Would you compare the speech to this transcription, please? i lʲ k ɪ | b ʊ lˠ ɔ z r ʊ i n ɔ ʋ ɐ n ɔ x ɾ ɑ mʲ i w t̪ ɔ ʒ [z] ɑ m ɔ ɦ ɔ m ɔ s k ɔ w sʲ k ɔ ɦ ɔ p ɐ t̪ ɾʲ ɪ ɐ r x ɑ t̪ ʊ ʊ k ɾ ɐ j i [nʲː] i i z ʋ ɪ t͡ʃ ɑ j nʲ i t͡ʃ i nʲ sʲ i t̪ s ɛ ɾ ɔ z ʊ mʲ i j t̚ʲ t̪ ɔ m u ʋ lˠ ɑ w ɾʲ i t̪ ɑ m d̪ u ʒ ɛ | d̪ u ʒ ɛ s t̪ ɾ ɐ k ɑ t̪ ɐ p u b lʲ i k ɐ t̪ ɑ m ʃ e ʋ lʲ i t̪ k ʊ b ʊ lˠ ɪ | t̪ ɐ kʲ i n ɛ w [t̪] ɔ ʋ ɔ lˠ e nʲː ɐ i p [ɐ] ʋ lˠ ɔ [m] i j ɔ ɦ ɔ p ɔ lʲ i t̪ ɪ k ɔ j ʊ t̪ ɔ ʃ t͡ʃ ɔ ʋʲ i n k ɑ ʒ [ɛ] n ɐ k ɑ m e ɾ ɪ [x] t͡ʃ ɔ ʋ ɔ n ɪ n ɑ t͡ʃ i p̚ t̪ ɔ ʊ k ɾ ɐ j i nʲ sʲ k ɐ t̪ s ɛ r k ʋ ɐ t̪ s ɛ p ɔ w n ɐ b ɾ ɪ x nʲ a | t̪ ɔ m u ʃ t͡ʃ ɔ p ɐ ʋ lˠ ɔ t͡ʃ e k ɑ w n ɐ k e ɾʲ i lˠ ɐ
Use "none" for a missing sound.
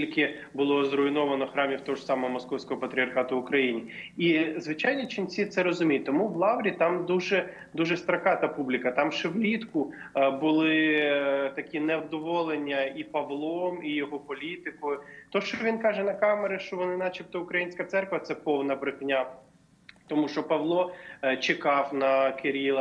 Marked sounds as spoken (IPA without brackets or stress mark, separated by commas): s, nʲ, d̪, ɐ, m, ɛ, ʃ